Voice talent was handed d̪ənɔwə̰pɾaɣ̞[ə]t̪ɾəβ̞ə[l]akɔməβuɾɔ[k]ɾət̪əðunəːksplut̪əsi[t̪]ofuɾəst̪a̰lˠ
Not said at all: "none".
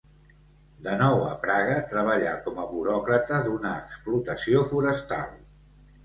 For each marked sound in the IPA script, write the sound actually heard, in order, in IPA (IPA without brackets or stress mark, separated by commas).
ə, ʎ, k, none